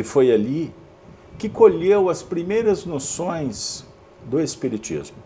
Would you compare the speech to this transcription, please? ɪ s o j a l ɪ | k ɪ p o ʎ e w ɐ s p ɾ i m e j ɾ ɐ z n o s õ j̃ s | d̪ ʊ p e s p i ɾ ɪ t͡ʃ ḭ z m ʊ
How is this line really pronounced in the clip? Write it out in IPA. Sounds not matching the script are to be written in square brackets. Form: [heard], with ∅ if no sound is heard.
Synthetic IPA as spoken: ɪ [f] o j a l [i] | k ɪ [k] o ʎ e w ɐ s p ɾ i m e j ɾ ɐ z n o s õ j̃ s | d̪ ʊ [∅] e s p i ɾ [i] t͡ʃ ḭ z m ʊ

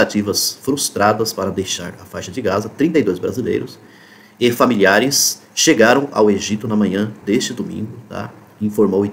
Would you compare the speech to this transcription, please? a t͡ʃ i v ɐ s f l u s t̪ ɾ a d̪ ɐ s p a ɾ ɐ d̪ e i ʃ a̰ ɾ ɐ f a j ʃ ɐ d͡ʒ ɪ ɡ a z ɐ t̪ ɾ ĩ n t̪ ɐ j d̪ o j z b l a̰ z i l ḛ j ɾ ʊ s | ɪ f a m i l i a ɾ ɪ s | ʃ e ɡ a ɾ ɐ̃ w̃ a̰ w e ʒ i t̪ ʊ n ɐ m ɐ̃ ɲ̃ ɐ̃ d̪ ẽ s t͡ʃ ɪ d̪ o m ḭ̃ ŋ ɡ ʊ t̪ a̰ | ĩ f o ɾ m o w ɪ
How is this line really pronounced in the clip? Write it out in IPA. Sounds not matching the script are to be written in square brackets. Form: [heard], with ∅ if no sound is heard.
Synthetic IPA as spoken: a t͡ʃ i v ɐ s f [ɾ] u s t̪ ɾ a d̪ ɐ s p a ɾ ɐ d̪ e [j] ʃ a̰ ɾ ɐ f a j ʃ ɐ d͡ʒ ɪ ɡ a z ɐ t̪ ɾ ĩ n t̪ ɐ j d̪ o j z b [ɾ] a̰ z i l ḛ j ɾ ʊ s | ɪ f a m i l i a ɾ ɪ s | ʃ e ɡ a ɾ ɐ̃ w̃ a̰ w e ʒ i t̪ ʊ n ɐ m ɐ̃ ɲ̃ ɐ̃ d̪ [e] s t͡ʃ ɪ d̪ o m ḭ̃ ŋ ɡ ʊ t̪ a̰ | ĩ f o ɾ m o w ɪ

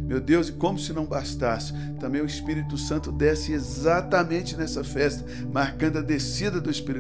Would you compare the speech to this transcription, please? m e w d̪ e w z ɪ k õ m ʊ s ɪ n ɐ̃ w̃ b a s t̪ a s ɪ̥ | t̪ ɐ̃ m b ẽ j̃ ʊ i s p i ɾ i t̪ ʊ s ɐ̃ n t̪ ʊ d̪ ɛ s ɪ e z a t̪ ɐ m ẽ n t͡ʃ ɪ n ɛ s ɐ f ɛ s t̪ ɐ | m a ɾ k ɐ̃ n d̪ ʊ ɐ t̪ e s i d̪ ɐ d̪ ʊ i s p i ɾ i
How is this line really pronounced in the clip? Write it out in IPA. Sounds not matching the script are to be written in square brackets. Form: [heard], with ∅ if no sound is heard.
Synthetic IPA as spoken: m e w d̪ e w z ɪ k õ m ʊ s ɪ n ɐ̃ w̃ b a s t̪ a s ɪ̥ | t̪ ɐ̃ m b ẽ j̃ ʊ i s p i ɾ i t̪ ʊ s ɐ̃ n t̪ ʊ d̪ ɛ s ɪ e z a t̪ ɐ m ẽ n t͡ʃ ɪ n ɛ s ɐ f ɛ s t̪ ɐ | m a ɾ k ɐ̃ n d̪ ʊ ɐ [d̪] e s i d̪ ɐ d̪ ʊ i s p i ɾ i

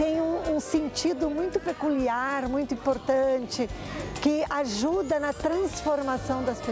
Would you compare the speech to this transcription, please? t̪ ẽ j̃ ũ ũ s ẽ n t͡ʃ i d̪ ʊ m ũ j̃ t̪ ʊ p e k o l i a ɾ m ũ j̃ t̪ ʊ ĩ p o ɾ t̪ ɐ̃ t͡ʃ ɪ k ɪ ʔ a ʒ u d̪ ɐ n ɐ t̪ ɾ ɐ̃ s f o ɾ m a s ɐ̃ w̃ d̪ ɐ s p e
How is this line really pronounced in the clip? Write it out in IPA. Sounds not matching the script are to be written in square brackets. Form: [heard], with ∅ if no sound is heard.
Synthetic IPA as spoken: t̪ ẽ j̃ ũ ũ s ẽ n t͡ʃ i d̪ ʊ m ũ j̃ t̪ ʊ p e k [u] l i a ɾ m ũ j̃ t̪ ʊ ĩ p o ɾ t̪ ɐ̃ t͡ʃ ɪ k ɪ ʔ a ʒ u d̪ ɐ n ɐ t̪ ɾ ɐ̃ s f o ɾ m a s ɐ̃ w̃ d̪ ɐ s p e

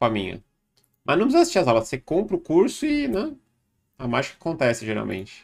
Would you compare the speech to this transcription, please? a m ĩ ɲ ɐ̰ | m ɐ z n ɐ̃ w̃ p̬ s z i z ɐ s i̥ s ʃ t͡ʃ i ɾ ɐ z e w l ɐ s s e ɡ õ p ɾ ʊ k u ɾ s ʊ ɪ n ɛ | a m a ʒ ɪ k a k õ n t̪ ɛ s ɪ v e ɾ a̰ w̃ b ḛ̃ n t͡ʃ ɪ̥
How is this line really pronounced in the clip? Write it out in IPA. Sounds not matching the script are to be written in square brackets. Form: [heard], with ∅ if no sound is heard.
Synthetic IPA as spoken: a m ĩ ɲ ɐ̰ | m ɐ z n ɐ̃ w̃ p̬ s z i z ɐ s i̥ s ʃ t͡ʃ i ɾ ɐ z [a] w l ɐ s s e [k] õ p ɾ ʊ k u ɾ s ʊ ɪ n ɛ | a m a ʒ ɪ k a k õ n t̪ ɛ s ɪ [ʒ] e ɾ a̰ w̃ [m] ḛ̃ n t͡ʃ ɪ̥

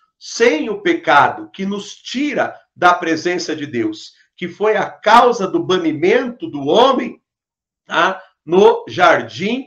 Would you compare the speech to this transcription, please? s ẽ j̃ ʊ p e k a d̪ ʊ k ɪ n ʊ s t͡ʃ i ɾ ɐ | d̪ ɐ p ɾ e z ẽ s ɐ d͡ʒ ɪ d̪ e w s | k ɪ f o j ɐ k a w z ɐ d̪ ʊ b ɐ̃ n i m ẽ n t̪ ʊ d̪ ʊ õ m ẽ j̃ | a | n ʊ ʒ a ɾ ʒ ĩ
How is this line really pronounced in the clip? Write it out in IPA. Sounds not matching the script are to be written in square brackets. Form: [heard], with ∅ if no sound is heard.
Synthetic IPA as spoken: s ẽ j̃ ʊ p e k a d̪ ʊ k ɪ n ʊ s t͡ʃ i ɾ ɐ | d̪ ɐ p ɾ e z ẽ s ɐ d͡ʒ ɪ d̪ e w s | k ɪ f o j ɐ k a w z ɐ d̪ ʊ b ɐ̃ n i m ẽ n t̪ ʊ d̪ ʊ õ m ẽ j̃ | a | n ʊ ʒ a ɾ [d͡ʒ] ĩ

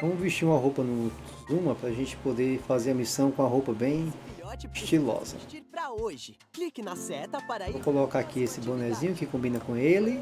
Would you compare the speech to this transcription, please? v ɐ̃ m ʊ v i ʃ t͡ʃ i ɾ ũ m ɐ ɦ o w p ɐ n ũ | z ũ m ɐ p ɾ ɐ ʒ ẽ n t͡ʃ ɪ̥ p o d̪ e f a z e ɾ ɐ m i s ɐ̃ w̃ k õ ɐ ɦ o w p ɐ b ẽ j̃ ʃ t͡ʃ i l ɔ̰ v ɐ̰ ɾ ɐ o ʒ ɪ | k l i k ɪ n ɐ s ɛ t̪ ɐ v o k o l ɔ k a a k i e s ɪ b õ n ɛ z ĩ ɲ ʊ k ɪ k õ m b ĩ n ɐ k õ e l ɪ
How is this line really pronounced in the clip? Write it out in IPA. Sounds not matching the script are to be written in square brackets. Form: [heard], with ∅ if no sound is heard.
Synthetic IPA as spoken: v ɐ̃ m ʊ v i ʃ t͡ʃ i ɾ ũ m ɐ ɦ o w p ɐ n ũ | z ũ m ɐ p ɾ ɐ ʒ ẽ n t͡ʃ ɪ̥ p o d̪ e f a z e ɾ ɐ m i s ɐ̃ w̃ k õ ɐ ɦ o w p ɐ b ẽ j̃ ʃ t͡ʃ i l ɔ̰ [z] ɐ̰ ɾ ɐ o ʒ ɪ | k l i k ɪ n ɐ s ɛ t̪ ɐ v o k o l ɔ k a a k i e s ɪ b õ n ɛ z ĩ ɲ ʊ k ɪ k õ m b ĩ n ɐ k õ e l ɪ

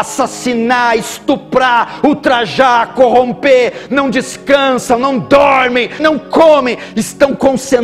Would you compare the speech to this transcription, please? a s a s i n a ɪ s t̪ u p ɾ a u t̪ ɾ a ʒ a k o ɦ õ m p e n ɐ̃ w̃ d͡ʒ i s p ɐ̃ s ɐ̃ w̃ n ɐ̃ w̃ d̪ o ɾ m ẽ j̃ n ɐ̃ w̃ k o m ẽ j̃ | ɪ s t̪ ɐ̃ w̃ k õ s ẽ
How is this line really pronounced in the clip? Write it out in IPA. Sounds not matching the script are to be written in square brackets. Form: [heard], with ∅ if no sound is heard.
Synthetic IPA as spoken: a s a s i n a ɪ s t̪ u p ɾ a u t̪ ɾ a ʒ a k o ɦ õ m p e n ɐ̃ w̃ d͡ʒ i s [k] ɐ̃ s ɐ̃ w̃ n ɐ̃ w̃ d̪ [ɔ] ɾ m ẽ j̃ n ɐ̃ w̃ k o m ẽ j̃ | ɪ s t̪ ɐ̃ w̃ k õ s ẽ

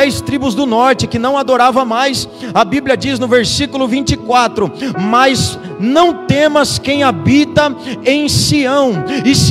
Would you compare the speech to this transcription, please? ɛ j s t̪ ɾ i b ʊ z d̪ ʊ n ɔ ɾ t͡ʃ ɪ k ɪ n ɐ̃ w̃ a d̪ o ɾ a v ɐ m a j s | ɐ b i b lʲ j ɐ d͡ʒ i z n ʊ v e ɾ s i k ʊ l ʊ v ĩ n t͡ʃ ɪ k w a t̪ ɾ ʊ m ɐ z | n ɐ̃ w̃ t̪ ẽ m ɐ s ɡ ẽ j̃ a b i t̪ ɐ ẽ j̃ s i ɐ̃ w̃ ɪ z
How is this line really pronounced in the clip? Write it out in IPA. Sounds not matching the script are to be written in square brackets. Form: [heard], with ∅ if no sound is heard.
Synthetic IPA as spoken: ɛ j s t̪ ɾ i b ʊ z d̪ ʊ n ɔ ɾ t͡ʃ ɪ k ɪ n ɐ̃ w̃ a d̪ o ɾ a v ɐ m a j s | ɐ b i b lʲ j ɐ d͡ʒ i z n ʊ v e ɾ s i k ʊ l ʊ v ĩ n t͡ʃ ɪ k w a t̪ ɾ ʊ m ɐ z | n ɐ̃ w̃ t̪ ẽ m ɐ s [k] ẽ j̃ a b i t̪ ɐ ẽ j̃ s i ɐ̃ w̃ ɪ [s]

